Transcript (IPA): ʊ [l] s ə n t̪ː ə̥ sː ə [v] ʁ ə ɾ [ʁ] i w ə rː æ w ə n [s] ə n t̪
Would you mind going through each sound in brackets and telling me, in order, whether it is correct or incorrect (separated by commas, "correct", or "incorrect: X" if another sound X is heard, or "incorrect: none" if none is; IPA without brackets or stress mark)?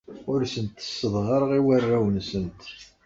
incorrect: ɾ, incorrect: ð, correct, correct